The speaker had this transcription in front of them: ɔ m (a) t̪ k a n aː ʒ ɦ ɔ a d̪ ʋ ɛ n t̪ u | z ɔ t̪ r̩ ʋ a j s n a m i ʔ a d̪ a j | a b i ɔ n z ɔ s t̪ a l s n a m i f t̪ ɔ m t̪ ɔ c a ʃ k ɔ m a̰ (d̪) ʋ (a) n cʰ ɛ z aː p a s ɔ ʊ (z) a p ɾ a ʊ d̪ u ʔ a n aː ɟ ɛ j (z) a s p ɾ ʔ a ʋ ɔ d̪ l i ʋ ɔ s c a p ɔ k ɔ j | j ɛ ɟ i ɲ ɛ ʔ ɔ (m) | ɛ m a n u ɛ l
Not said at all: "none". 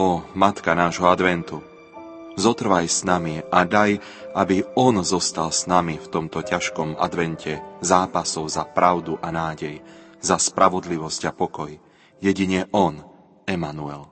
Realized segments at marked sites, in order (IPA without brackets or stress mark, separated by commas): a, d̪, ɛ, z, z, n